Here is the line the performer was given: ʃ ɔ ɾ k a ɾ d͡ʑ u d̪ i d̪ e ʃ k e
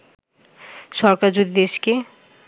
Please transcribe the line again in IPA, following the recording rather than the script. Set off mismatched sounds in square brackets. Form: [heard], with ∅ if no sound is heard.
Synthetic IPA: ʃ ɔ ɾ k a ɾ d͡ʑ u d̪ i d̪ e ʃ k e